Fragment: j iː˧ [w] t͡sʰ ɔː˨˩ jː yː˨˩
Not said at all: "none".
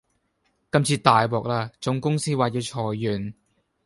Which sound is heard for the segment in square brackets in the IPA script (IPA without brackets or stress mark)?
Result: w